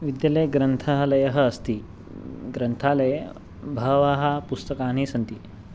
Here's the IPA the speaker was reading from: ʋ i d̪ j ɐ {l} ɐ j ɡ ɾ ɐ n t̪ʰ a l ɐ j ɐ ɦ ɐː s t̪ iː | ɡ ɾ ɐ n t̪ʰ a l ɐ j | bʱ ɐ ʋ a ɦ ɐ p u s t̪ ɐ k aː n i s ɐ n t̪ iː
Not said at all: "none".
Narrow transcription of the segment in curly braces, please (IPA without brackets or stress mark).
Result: l